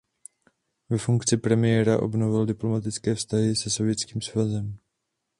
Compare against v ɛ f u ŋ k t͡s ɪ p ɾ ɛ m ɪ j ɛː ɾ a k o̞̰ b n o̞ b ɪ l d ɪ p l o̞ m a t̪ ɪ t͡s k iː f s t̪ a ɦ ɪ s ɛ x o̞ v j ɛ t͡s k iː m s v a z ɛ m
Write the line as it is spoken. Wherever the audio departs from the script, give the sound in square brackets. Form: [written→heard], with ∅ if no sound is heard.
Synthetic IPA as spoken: v ɛ f u ŋ k t͡s ɪ p ɾ ɛ m ɪ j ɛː ɾ a [k→ʔ] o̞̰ b n o̞ [b→v] ɪ l d ɪ p l o̞ m a t̪ ɪ t͡s k [iː→ɛː] f s t̪ a ɦ ɪ s ɛ [x→s] o̞ v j ɛ t͡s k iː m s v a z ɛ m

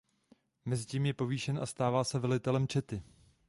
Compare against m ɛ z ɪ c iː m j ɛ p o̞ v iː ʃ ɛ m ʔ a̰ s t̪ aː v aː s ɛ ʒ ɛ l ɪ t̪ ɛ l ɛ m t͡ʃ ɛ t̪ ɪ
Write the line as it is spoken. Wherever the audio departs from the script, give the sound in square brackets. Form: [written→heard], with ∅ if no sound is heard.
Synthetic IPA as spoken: m ɛ z ɪ c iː m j ɛ p o̞ v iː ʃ ɛ [m→n] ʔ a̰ s t̪ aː v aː s ɛ [ʒ→v] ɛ l ɪ t̪ ɛ l ɛ m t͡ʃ ɛ t̪ ɪ

